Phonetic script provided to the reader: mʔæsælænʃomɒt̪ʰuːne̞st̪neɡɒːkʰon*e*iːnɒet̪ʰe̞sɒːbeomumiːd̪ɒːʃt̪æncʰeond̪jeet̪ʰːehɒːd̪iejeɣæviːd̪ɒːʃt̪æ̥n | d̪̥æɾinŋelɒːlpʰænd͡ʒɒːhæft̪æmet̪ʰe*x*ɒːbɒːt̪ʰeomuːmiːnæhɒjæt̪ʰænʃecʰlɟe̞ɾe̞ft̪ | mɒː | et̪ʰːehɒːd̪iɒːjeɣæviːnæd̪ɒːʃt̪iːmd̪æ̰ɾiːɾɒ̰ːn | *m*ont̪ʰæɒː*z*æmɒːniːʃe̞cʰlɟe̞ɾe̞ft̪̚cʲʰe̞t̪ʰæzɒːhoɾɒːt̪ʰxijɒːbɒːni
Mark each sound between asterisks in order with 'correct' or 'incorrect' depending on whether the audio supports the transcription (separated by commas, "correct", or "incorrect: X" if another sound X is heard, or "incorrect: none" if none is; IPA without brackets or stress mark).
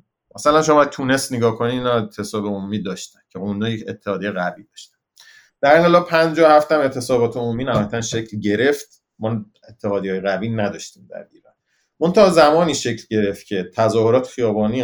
incorrect: i, incorrect: s, correct, correct